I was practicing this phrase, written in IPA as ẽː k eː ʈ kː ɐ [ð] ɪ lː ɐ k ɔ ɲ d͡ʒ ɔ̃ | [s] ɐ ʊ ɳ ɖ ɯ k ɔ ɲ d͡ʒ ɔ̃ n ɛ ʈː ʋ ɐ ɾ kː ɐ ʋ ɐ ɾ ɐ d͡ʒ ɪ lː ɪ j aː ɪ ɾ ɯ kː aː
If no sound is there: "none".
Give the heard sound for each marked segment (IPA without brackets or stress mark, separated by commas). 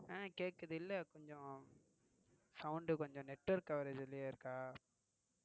ð, s